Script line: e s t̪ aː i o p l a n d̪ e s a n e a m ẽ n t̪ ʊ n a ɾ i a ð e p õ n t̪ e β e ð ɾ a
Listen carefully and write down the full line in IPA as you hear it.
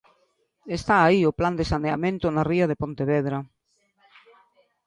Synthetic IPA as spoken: e s t̪ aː i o p l a n d̪ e s a n e a m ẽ n t̪ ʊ n a r i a ð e p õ n t̪ e β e ð ɾ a

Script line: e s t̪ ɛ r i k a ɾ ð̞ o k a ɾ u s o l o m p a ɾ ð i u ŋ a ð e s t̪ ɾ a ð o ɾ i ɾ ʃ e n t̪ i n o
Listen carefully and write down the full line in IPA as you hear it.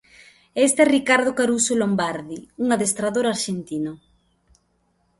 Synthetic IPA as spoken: e s t̪ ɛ r i k a ɾ ð̞ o k a ɾ u s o l o m b a ɾ ð i u ŋ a ð e s t̪ ɾ a ð o ɾ a ɾ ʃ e n t̪ i n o

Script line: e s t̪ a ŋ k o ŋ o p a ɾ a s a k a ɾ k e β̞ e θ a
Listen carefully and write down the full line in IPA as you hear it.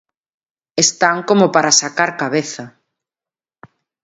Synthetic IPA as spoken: e s t̪ a ŋ k o m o p a ɾ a s a k a ɾ k a β̞ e θ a

